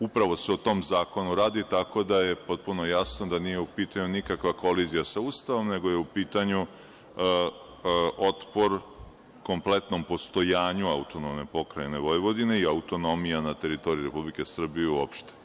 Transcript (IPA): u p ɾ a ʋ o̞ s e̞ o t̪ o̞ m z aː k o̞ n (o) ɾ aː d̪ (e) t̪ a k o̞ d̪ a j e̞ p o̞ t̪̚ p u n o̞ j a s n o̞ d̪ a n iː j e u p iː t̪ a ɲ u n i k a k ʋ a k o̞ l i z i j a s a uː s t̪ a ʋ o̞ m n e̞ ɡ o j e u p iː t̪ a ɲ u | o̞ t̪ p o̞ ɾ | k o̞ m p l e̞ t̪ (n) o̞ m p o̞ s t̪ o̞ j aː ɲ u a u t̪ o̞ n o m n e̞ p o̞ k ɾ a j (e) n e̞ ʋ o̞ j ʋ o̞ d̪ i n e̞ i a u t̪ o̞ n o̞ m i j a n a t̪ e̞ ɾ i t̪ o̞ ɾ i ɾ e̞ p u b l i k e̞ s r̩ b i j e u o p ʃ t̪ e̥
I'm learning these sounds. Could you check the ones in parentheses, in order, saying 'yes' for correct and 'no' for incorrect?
no, no, yes, yes

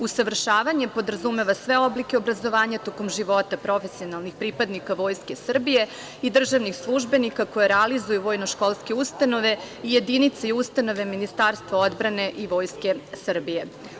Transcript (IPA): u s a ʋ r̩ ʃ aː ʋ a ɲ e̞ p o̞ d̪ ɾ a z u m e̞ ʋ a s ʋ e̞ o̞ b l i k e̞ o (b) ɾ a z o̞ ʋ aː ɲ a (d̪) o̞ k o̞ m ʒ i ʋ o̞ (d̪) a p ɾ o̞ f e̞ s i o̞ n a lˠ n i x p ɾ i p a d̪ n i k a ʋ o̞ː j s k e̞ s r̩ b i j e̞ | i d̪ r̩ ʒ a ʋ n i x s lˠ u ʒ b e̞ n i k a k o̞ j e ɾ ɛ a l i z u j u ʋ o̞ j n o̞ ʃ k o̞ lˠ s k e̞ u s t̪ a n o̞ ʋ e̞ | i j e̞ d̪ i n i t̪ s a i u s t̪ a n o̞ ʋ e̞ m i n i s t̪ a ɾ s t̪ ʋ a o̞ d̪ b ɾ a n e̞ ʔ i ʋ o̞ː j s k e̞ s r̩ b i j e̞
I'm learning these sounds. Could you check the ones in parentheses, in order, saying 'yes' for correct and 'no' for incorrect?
yes, no, no

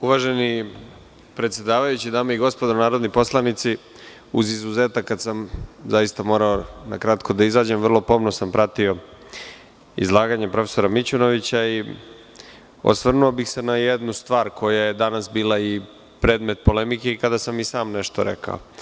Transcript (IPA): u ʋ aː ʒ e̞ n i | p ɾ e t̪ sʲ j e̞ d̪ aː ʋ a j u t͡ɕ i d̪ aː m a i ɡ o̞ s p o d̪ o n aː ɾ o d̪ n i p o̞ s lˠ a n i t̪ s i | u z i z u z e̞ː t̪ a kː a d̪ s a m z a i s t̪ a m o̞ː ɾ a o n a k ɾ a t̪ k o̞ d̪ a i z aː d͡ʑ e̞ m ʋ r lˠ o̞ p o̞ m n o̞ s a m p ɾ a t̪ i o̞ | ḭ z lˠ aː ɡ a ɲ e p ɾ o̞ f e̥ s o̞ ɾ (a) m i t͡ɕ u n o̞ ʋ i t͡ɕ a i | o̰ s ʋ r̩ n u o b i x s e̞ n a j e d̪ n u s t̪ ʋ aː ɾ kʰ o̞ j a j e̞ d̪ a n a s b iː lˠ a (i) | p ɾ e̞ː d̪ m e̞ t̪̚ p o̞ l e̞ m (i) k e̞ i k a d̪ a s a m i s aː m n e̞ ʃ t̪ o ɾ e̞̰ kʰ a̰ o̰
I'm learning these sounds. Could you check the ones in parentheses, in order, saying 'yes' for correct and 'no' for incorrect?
yes, yes, yes

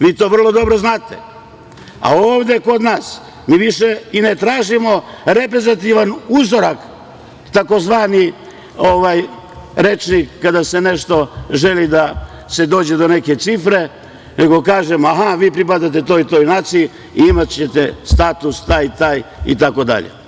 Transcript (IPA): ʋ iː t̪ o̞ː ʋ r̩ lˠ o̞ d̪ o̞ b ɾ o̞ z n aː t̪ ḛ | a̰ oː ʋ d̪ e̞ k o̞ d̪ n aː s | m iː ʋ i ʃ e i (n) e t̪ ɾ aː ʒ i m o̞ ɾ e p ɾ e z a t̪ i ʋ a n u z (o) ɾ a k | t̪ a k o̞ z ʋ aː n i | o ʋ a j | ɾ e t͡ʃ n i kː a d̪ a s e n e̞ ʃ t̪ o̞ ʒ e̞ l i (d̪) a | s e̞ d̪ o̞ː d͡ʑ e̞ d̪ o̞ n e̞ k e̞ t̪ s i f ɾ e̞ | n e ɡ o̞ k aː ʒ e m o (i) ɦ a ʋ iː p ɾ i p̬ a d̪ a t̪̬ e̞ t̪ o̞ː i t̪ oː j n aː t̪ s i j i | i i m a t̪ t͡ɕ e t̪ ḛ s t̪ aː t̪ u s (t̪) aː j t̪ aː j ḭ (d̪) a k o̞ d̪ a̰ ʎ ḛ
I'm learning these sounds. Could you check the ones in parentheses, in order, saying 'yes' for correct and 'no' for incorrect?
yes, yes, yes, no, yes, no

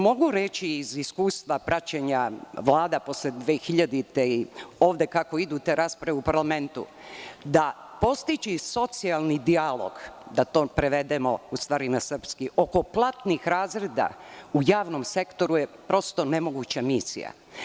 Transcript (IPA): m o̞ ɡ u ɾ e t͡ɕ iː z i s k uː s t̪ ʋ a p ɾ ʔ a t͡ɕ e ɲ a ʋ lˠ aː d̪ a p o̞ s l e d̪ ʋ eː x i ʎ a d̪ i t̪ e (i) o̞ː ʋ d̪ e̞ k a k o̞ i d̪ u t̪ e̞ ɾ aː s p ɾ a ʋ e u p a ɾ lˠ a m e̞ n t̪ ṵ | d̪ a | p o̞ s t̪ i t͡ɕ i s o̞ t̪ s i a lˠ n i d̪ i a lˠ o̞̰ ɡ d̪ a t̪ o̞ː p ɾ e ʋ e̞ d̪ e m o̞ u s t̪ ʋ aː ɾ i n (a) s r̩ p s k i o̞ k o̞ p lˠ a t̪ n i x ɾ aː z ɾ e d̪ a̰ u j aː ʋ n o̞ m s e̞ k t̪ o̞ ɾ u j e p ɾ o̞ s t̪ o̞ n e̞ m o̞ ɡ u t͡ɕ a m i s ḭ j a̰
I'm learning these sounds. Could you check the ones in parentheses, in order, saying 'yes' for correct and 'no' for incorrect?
yes, yes

